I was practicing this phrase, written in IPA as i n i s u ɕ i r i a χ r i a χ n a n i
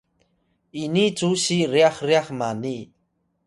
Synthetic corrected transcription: i n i t͡s u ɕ i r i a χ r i a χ m a n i